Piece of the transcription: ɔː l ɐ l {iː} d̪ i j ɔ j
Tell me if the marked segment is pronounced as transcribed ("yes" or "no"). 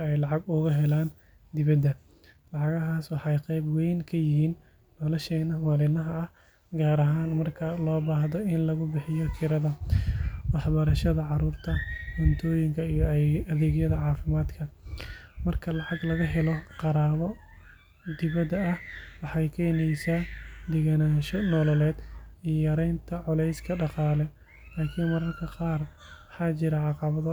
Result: no